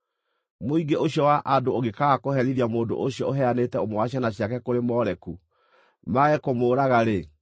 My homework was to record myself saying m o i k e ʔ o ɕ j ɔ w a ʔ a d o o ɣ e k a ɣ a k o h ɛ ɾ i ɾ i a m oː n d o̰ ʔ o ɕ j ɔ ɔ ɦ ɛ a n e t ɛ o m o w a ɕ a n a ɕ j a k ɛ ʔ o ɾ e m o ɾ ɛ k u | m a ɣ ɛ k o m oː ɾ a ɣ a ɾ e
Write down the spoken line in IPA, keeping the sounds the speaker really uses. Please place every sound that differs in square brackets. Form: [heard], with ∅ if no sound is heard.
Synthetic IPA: m o i [ɡ] e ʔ o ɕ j ɔ w a ʔ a d o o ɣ e k a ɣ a k o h ɛ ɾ i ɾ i a m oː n d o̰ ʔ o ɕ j ɔ [o] ɦ ɛ a n e t ɛ o m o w a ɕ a n a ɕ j a k ɛ [k] o ɾ e m [ɔ] ɾ ɛ k u | m a ɣ ɛ k o m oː ɾ a ɣ a ɾ e

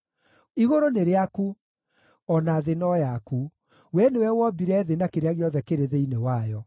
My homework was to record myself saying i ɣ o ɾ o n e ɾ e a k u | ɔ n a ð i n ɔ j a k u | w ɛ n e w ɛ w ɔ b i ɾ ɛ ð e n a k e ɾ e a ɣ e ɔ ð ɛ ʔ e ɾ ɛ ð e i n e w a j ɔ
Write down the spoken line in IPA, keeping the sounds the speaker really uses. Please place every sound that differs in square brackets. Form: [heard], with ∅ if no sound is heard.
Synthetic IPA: i ɣ o ɾ o n e ɾ e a k u | ɔ n a ð [e] n ɔ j a k u | w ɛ n e w ɛ w ɔ b i ɾ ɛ ð e n a k e ɾ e a ɣ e ɔ ð ɛ [k] e ɾ [e] ð e i n e w a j ɔ

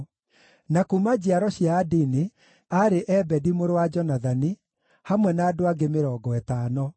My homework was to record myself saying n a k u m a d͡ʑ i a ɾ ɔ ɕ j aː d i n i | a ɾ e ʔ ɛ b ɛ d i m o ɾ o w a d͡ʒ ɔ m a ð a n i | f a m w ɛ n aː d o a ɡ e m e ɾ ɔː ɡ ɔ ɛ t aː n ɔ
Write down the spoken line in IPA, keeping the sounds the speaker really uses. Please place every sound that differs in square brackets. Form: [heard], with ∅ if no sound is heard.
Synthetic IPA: n a k u m a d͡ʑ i a ɾ ɔ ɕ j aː d i n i | a ɾ e ʔ ɛ b ɛ d i m o ɾ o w a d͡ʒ ɔ [n] a ð a n i | [h] a m w ɛ n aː d o a ɡ e m e ɾ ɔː ɡ ɔ ɛ t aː n ɔ

